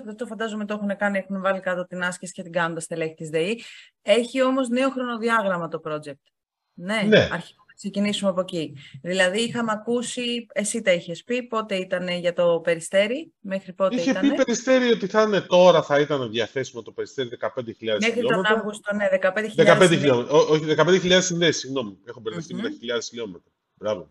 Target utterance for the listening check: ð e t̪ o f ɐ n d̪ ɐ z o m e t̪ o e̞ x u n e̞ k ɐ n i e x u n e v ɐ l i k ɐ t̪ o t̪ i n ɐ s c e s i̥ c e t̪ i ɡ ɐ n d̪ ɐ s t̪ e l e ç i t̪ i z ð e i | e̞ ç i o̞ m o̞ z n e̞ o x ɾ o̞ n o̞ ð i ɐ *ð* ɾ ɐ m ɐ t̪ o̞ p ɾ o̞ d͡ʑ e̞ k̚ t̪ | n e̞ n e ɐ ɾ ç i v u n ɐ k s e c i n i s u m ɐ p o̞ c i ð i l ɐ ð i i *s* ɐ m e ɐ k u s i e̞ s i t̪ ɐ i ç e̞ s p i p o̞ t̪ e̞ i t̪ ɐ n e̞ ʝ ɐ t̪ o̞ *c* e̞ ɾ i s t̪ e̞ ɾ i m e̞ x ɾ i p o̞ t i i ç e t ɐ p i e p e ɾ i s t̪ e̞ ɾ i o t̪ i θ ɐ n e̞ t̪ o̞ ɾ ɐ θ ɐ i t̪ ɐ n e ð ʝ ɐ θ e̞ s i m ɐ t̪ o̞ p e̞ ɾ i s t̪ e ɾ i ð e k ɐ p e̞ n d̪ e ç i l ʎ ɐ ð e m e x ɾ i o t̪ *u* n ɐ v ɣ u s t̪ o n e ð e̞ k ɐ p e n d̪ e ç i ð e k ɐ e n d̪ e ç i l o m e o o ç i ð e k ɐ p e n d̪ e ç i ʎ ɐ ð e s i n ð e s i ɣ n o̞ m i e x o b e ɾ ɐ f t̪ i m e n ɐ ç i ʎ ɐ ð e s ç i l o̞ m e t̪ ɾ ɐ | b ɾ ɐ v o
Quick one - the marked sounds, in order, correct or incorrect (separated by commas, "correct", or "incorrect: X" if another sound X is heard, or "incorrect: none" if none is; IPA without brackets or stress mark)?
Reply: incorrect: ɣ, incorrect: x, incorrect: p, incorrect: o